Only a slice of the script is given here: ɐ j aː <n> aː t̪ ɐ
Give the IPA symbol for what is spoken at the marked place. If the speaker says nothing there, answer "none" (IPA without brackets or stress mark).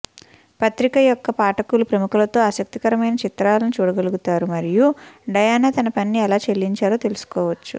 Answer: n